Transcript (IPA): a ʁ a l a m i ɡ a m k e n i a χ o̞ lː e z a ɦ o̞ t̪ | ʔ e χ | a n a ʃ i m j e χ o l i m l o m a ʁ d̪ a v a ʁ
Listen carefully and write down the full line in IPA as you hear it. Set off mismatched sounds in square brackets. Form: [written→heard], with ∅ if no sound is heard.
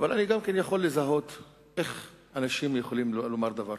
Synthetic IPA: a [ʁ→v] a l a [m→n] i ɡ a m k e n [i→j] a χ o̞ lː e z a ɦ o̞ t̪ | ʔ e χ | a n a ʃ i m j e χ o l i m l o m a ʁ d̪ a v a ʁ

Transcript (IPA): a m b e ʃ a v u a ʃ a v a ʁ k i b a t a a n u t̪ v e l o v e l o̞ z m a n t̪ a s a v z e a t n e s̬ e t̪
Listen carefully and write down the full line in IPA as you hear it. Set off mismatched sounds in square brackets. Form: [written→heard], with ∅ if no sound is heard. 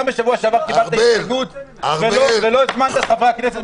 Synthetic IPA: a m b e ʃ a v u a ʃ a v a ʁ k i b a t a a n u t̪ v e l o v e l o̞ z m a n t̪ a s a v [z→ʁ] e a [t→k] n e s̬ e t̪

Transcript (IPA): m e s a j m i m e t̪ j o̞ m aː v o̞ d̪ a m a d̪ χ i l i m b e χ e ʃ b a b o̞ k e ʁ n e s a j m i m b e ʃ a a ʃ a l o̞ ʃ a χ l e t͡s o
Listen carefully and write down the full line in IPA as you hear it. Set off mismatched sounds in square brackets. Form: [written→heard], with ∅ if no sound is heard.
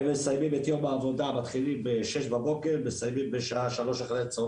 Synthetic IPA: m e s a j m i m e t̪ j o̞ m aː v o̞ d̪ a m a [d̪→t̪] χ i l i m b e [χ→ʃ] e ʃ b a b o̞ k e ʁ [n→m] e s a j m i m b e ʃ a a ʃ a l o̞ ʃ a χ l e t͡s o

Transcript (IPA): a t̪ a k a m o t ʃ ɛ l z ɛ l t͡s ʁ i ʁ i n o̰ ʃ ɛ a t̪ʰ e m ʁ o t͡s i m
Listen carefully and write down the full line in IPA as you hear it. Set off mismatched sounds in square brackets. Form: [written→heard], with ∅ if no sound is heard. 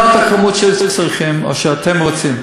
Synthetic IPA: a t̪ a k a m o t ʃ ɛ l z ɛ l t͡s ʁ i [ʁ→χ] i [n→m] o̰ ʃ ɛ a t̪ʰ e m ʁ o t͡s i m

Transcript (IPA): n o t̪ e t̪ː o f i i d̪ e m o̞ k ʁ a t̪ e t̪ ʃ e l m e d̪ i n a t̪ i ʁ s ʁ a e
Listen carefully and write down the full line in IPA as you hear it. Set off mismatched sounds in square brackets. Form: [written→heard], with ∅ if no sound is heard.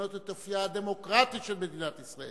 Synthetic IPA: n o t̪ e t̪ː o f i [i→a] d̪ e m o̞ k ʁ a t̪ [e→i] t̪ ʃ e l m e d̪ i n a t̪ i [ʁ→∅] s ʁ a e

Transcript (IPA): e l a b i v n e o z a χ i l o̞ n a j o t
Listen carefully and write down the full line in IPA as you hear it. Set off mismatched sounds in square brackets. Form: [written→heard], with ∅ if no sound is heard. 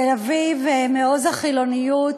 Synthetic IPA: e l a [b→v] i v [n→m] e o z a χ i l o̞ n [a→i] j [o→u] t

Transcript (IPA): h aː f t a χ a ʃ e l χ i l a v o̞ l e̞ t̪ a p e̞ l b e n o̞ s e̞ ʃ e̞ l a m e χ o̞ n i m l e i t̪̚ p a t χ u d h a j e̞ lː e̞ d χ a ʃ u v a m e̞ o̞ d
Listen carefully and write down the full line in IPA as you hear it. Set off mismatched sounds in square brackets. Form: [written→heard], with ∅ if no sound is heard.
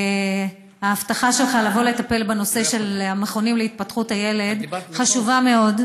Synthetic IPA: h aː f t a χ a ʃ e l χ [i→a] l a v o̞ l e̞ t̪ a p e̞ l b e n o̞ s e̞ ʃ e̞ l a m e χ o̞ n i m l e i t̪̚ p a t χ u [d→t] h a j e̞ [lː→l] e̞ d χ a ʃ u v a m e̞ o̞ d

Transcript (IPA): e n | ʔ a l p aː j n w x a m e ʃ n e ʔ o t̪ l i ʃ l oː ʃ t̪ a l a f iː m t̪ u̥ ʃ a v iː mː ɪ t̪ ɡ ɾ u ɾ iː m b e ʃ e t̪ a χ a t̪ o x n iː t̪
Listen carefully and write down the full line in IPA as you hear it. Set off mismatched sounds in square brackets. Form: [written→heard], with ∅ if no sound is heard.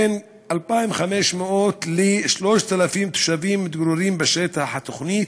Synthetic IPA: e n | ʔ a l p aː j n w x a m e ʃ [n→m] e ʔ o t̪ l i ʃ l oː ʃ t̪ a l a f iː m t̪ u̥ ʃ a v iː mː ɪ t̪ ɡ ɾ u ɾ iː m b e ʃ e t̪ a [χ→ħ] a t̪ o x n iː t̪

